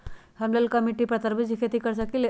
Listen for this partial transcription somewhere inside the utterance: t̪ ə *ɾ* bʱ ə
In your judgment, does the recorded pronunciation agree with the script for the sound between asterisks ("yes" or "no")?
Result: yes